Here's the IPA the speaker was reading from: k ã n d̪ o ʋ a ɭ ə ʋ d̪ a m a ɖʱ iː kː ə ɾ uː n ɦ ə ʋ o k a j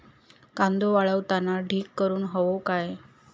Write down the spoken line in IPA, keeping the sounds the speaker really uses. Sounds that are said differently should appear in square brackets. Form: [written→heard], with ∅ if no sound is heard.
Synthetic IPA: k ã n d̪ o ʋ a ɭ ə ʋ [d̪→t̪] a [m→n] a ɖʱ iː kː ə ɾ uː n ɦ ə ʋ o k a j